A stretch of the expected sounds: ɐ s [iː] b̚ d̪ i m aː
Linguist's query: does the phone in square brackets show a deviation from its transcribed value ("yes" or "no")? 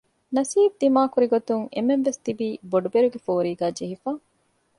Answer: no